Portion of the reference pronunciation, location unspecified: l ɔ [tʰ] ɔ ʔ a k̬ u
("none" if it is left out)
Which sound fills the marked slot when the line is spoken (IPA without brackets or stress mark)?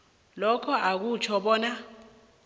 kʰ